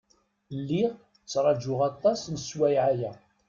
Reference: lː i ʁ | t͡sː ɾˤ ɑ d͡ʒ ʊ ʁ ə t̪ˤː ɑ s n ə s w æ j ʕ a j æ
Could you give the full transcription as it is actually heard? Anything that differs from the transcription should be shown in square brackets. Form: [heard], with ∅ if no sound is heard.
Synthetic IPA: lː i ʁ | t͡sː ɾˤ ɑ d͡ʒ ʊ ʁ [ɑ] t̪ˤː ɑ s n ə s w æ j ʕ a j æ